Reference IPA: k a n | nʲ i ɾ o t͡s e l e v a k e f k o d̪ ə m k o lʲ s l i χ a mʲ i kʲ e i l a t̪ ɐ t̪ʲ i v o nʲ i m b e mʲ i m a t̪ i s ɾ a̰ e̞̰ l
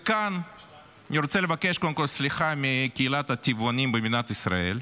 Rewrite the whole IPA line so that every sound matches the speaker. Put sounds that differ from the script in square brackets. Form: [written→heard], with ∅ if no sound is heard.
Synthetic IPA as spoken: k a n | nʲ i ɾ o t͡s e l e v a k e [f→ʃ] k o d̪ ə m k o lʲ s l i χ a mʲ i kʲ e i l a t̪ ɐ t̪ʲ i v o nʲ i m b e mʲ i [m→n] a t̪ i s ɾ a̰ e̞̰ l